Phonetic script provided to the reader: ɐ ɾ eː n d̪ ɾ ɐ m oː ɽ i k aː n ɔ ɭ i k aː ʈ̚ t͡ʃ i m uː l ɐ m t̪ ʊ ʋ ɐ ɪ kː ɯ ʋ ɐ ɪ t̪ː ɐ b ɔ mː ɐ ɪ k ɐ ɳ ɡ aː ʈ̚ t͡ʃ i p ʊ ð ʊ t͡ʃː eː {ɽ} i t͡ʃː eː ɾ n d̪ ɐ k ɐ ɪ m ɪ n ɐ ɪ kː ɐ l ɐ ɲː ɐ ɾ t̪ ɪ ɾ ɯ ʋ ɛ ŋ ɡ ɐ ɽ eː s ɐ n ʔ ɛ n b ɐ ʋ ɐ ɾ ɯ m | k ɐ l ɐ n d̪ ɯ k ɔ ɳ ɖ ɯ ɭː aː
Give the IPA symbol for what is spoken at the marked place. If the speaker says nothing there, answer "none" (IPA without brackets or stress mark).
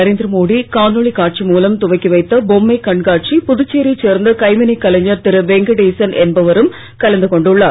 ɾ